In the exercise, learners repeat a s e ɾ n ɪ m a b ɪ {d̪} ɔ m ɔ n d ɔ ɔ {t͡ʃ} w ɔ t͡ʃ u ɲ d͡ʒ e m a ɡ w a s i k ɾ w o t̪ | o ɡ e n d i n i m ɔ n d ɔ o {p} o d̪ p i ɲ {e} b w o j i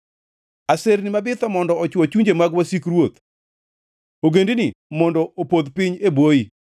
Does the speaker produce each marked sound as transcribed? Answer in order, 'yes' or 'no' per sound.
no, yes, yes, yes

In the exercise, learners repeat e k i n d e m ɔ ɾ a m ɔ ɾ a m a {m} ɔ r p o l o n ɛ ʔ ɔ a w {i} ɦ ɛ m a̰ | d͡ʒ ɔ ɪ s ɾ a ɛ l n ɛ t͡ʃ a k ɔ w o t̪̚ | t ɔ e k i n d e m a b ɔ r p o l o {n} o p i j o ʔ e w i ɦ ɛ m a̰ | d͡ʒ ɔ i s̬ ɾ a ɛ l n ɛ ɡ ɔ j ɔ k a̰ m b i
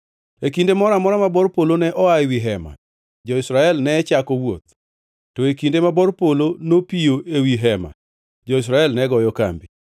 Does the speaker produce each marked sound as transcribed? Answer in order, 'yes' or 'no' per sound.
no, yes, yes

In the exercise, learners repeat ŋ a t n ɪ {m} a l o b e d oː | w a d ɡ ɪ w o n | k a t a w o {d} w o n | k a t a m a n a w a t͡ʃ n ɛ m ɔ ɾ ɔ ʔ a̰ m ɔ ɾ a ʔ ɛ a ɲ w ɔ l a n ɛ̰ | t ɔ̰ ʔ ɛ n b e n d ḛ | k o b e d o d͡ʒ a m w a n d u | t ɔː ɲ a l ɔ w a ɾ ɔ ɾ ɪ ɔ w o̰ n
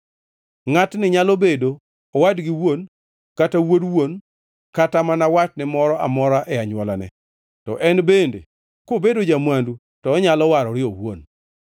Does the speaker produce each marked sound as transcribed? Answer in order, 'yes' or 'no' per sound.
no, yes

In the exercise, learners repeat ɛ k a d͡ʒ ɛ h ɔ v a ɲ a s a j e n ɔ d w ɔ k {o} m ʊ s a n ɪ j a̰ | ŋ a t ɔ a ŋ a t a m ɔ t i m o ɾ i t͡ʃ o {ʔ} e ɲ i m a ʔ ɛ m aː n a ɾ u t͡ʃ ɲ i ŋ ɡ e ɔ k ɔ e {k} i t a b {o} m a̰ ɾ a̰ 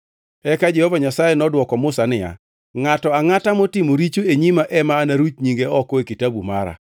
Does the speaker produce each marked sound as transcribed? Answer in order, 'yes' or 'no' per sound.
no, no, yes, no

